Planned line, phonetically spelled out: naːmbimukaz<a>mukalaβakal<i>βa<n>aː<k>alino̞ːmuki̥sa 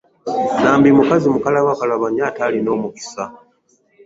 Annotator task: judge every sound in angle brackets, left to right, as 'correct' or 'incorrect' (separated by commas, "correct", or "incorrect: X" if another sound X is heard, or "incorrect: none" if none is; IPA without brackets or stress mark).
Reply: incorrect: i, incorrect: a, incorrect: ɲ, incorrect: t